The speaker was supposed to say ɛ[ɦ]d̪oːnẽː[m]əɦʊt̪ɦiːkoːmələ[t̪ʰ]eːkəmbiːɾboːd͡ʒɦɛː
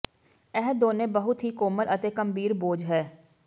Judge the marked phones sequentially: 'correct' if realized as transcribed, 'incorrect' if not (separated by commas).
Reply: correct, incorrect, incorrect